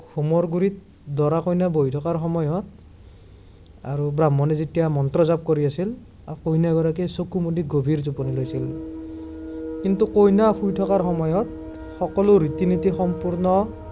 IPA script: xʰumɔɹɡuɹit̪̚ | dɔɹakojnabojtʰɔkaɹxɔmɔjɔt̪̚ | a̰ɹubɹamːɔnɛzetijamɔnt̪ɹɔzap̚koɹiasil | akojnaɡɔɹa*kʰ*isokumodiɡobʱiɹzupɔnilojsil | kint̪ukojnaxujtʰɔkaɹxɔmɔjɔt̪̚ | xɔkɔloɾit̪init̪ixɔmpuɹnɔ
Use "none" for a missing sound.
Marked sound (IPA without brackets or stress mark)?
k